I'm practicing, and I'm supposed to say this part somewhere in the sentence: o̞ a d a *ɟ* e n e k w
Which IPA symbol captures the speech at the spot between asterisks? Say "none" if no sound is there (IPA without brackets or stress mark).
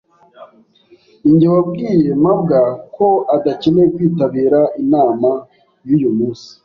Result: c